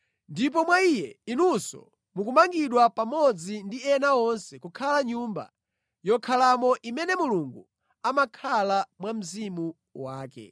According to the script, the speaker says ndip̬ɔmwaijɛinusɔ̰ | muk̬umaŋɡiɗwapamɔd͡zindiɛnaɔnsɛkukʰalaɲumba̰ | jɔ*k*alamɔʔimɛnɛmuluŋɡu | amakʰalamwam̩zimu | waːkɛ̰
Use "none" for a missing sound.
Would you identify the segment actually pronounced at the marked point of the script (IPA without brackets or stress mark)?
kʰ